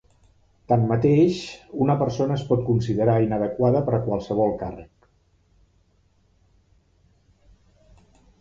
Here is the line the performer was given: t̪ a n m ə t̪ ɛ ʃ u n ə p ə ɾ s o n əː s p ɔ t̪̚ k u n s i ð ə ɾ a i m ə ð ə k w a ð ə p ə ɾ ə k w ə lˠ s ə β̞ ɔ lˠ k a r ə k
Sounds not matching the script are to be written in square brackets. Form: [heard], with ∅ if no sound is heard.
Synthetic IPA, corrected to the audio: t̪ a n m ə t̪ [e] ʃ u n ə p ə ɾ s o n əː s p ɔ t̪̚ k u n s i ð ə ɾ a i [n] ə ð ə k w a ð ə p ə ɾ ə k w [a] lˠ s ə β̞ ɔ lˠ k a r ə k